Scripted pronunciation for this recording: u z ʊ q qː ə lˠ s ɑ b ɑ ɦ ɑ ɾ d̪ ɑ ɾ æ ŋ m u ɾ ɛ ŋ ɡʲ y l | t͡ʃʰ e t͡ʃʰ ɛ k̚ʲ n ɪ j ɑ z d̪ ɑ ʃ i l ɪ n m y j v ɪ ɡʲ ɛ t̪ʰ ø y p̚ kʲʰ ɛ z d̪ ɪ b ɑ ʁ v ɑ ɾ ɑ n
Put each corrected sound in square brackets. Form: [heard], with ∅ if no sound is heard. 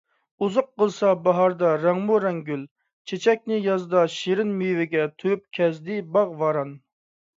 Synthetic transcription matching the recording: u z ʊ q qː ə lˠ s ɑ b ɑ ɦ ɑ ɾ d̪ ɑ ɾ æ ŋ m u ɾ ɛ ŋ ɡʲ y l | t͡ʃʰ e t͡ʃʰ ɛ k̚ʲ n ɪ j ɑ z d̪ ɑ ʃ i [ɾ] ɪ n m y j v ɪ ɡʲ ɛ t̪ʰ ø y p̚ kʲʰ ɛ z d̪ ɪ b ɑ ʁ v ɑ ɾ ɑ n